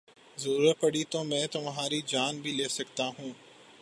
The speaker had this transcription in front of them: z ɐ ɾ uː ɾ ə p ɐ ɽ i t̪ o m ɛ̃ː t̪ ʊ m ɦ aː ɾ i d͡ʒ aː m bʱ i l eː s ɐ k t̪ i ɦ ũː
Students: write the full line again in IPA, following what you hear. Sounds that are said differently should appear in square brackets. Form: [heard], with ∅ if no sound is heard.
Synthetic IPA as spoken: z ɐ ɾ uː ɾ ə p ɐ ɽ i t̪ o m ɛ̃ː t̪ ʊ m ɦ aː ɾ i d͡ʒ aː [n] bʱ i l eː s ɐ k t̪ [a] ɦ ũː